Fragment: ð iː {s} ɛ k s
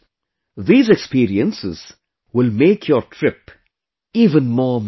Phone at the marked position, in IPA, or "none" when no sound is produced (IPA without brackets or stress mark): z